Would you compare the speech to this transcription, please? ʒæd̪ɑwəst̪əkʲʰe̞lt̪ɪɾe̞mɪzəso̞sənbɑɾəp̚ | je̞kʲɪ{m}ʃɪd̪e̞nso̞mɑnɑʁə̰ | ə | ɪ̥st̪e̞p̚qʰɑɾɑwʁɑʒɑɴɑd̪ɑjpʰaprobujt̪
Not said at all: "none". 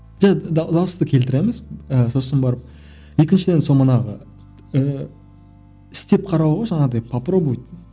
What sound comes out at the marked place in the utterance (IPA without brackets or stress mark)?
n